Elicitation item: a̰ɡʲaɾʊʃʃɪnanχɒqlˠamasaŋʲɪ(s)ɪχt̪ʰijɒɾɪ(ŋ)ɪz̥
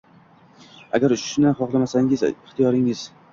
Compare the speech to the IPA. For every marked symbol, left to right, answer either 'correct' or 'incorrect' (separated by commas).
incorrect, correct